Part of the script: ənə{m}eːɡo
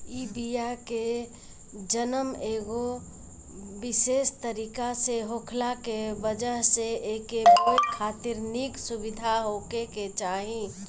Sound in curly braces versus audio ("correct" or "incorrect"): correct